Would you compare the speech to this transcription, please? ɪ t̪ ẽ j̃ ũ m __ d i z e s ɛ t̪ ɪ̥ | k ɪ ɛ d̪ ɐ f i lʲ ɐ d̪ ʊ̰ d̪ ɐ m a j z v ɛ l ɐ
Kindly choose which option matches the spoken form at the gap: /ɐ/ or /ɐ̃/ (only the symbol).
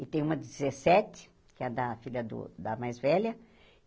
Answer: ɐ